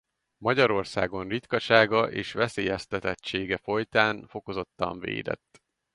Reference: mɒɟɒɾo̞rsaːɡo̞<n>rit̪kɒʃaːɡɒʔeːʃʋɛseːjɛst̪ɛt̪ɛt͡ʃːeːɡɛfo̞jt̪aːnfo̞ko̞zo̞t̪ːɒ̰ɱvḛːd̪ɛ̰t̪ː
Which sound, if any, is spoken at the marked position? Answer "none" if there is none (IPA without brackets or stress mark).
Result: n